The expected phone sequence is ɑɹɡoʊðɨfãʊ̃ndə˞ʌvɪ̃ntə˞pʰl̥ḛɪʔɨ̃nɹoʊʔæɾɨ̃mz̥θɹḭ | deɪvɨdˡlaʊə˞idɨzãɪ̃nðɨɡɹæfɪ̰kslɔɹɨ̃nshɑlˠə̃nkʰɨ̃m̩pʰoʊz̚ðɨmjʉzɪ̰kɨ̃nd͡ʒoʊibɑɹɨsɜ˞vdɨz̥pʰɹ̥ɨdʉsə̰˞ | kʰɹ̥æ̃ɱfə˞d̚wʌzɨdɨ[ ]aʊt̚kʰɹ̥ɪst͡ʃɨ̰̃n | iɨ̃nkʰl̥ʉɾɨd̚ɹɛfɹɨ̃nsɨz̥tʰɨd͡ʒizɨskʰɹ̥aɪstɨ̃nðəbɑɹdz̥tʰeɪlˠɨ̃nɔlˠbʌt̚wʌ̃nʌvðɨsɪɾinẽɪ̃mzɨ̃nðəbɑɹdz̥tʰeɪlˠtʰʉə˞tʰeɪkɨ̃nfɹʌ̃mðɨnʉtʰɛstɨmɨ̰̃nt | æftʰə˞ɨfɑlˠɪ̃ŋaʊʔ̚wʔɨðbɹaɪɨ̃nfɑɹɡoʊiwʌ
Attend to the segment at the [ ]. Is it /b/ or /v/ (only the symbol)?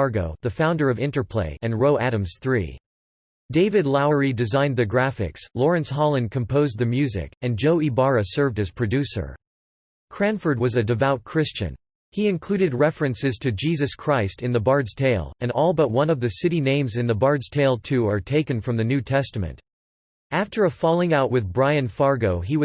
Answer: v